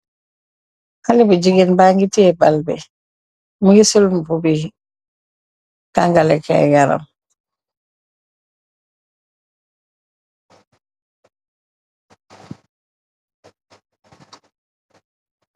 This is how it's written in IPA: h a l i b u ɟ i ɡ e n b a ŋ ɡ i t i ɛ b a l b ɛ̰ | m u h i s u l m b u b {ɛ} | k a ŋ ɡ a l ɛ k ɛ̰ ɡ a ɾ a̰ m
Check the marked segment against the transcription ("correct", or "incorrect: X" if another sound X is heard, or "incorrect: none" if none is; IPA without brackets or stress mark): incorrect: i